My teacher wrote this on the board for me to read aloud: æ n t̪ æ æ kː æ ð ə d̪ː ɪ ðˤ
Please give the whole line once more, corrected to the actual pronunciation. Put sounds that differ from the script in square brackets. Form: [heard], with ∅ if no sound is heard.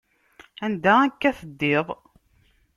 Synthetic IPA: æ n [d̪] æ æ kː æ [θ] ə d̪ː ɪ ðˤ